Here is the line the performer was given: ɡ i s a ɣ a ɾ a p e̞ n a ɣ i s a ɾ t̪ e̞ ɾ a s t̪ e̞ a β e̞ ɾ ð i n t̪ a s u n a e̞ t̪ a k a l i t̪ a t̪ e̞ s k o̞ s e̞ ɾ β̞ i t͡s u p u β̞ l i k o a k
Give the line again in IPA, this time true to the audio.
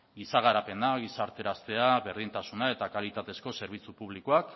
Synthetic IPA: ɡ i s a ɣ a ɾ a p e̞ n a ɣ i s a ɾ t̪ e̞ ɾ a s t̪ e̞ a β e̞ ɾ ð i n t̪ a s u n a e̞ t̪ a k a l i t̪ a t̪ e̞ s k o̞ s e̞ ɾ β̞ i t͡s u p u β̞ l i k o a k